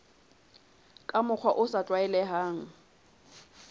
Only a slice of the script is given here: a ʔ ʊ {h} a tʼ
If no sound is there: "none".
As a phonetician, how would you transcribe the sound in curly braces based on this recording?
s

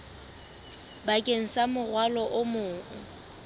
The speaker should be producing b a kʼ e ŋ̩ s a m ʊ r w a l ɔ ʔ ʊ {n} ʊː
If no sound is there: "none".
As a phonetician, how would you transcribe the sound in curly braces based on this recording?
m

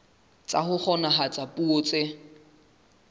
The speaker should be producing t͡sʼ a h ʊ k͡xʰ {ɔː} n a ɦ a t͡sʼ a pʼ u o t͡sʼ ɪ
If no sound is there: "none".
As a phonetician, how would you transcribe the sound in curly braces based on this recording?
ɔ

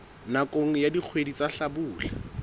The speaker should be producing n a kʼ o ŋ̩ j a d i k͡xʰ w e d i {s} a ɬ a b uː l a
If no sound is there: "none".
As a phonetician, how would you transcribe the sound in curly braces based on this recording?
t͡s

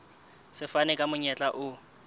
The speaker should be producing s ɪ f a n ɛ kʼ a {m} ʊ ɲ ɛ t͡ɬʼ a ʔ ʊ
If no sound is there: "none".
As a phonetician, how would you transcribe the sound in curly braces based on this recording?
m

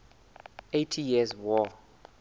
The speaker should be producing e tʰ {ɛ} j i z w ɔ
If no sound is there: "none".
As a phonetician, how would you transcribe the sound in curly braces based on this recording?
i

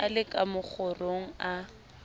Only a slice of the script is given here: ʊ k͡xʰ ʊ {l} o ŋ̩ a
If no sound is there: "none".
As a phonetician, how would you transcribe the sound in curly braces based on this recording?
r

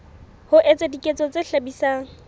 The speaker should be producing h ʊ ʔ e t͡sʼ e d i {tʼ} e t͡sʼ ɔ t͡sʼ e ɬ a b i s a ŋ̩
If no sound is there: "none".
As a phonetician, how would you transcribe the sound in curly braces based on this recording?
kʼ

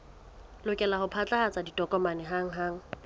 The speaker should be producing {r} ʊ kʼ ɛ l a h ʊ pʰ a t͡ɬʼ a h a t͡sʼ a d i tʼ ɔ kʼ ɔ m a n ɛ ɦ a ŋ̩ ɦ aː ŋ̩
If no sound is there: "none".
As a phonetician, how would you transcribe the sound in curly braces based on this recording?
l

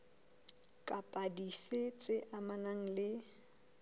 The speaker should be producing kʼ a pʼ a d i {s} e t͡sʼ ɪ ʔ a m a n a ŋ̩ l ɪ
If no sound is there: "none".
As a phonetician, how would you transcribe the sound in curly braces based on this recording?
f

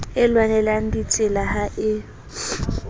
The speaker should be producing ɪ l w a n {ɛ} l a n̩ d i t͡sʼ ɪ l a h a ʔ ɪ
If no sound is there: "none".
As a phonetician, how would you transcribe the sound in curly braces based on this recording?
ɛ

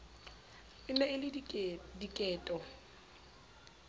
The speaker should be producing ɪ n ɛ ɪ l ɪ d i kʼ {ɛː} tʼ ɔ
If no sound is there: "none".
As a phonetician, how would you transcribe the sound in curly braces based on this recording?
ɛː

